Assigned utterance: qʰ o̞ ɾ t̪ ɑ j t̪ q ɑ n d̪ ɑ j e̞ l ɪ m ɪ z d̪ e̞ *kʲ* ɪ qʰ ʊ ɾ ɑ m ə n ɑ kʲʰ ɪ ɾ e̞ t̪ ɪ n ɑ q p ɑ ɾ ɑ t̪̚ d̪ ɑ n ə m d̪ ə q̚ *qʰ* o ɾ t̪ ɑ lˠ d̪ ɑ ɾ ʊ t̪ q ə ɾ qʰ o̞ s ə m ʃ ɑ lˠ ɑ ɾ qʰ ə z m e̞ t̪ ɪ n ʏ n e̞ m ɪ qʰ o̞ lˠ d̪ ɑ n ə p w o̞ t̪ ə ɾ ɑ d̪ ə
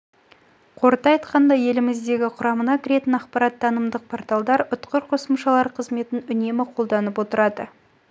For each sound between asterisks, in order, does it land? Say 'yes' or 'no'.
no, no

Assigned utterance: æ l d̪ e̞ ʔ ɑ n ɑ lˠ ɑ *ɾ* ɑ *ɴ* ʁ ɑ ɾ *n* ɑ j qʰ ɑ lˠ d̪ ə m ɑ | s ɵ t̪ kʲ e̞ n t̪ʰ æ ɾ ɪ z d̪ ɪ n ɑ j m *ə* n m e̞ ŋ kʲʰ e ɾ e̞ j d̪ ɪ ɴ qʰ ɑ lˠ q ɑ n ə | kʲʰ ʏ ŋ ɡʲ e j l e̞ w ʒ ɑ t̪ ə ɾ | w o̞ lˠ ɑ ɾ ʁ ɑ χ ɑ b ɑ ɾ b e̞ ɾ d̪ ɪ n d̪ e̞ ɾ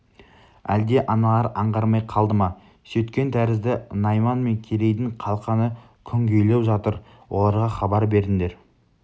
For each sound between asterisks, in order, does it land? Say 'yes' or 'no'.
yes, yes, no, no

